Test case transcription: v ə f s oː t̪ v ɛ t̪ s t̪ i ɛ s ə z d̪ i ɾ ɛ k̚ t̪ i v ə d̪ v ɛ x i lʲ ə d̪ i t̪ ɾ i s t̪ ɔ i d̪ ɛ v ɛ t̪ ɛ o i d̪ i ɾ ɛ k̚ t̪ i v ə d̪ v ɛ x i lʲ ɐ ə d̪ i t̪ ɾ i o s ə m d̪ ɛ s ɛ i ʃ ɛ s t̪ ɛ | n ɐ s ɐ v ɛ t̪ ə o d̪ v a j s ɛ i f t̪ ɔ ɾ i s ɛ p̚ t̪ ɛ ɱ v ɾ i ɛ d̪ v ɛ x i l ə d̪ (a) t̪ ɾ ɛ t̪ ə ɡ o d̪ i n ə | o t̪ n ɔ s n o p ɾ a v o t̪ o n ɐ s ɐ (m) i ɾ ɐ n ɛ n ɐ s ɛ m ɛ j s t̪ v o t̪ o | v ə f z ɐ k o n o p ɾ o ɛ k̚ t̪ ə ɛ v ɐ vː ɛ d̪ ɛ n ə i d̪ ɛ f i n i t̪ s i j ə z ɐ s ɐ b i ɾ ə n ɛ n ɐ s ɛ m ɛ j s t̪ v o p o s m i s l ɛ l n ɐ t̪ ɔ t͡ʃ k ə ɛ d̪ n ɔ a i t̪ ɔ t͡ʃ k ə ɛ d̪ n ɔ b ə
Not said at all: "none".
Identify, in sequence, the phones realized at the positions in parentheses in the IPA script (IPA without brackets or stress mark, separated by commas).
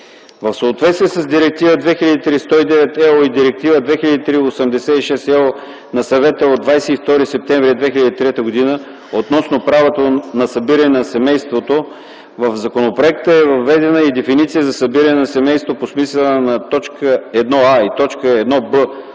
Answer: i, b